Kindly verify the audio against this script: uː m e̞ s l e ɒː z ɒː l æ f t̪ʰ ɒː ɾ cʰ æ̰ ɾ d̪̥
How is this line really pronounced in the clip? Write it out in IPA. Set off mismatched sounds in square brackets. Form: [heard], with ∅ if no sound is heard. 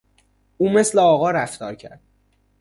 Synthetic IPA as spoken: uː m e̞ s l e ɒː [ɣ] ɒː [ɾ] æ f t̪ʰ ɒː ɾ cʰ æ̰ ɾ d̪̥